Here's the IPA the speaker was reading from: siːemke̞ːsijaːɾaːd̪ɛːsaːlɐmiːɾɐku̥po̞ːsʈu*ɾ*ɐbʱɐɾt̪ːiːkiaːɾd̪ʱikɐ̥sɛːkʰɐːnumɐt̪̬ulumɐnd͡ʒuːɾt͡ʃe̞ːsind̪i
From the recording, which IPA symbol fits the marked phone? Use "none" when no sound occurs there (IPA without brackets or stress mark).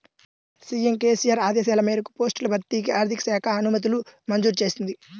l